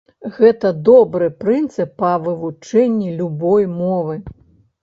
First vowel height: mid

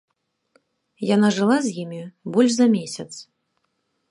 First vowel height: low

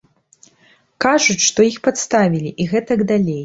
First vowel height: low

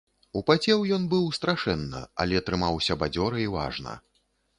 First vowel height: high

